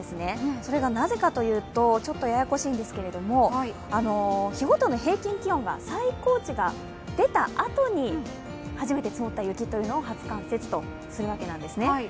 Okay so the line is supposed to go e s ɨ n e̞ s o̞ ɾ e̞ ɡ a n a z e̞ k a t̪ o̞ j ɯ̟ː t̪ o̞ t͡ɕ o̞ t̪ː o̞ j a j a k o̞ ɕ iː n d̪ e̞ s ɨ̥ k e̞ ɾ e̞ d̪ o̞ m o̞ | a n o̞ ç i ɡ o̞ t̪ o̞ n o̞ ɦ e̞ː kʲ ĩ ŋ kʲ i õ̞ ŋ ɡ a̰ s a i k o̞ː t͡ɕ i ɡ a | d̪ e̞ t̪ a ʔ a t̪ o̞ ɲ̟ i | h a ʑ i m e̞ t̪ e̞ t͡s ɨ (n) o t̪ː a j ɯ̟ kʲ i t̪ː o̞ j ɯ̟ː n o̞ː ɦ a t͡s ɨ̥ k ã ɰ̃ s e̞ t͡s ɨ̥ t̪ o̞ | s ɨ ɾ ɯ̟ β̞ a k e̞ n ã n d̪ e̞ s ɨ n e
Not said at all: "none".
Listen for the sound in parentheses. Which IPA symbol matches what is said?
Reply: m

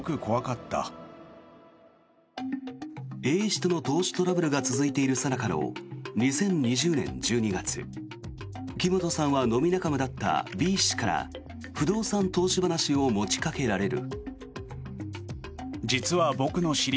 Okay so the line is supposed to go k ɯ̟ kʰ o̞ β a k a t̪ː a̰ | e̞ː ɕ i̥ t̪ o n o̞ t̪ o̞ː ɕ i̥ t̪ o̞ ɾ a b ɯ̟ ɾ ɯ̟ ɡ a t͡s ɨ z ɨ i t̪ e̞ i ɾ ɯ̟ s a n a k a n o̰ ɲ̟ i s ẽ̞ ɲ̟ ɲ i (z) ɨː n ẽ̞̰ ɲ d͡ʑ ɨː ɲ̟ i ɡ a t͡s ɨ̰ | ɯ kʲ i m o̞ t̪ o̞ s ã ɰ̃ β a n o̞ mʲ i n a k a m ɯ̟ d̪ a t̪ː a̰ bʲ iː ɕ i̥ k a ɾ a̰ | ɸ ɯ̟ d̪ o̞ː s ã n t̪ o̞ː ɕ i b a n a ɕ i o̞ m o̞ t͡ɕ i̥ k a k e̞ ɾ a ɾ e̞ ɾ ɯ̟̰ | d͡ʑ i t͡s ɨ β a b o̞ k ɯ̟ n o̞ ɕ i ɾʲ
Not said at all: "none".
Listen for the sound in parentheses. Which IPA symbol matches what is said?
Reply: ʑ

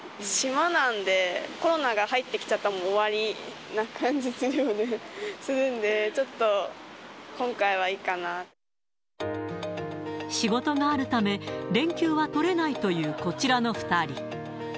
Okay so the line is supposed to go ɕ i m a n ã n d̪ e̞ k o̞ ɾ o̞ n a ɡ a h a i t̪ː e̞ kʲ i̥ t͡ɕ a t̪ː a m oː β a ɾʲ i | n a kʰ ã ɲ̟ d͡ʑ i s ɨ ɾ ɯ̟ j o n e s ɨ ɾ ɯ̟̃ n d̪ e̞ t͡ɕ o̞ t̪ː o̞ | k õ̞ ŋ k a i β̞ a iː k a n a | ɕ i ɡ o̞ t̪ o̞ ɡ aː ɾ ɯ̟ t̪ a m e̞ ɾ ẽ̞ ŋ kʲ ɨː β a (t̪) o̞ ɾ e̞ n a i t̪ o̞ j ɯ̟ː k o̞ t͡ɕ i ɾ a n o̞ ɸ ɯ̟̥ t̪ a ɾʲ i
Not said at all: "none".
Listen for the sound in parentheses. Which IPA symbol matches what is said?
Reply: t̪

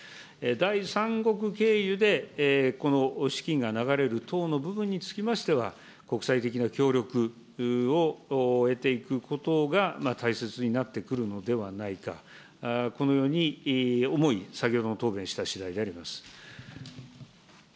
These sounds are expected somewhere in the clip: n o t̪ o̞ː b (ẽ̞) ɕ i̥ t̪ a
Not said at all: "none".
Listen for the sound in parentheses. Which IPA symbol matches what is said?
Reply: ẽ̞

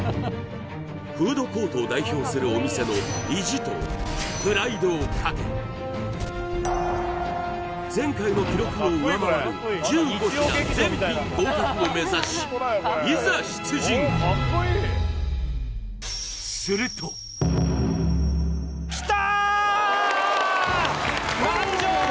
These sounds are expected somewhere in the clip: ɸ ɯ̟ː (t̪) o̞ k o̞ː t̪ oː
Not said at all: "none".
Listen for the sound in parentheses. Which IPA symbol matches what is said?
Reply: d̪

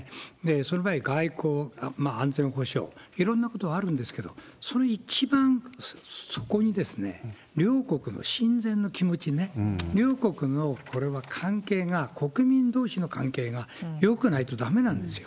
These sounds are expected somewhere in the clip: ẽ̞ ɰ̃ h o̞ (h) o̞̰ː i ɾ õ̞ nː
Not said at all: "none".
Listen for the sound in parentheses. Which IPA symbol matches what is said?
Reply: ɕ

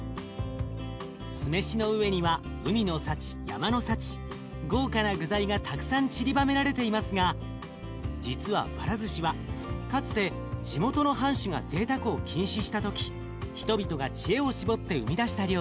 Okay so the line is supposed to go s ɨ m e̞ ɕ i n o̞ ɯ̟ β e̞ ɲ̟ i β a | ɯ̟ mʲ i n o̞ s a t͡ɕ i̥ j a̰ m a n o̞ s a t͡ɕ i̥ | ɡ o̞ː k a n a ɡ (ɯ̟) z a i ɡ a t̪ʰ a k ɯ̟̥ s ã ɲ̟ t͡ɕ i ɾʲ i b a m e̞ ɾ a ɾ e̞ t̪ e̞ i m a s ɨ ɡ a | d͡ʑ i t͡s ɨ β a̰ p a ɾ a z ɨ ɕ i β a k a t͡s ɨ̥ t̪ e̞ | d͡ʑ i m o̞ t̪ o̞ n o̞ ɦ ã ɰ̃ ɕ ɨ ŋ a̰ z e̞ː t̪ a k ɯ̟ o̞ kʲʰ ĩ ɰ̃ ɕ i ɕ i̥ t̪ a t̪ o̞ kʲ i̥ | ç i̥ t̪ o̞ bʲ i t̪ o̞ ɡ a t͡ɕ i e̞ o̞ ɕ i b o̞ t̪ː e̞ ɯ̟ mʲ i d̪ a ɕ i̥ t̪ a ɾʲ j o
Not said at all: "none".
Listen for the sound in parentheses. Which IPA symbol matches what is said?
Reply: ɯ̟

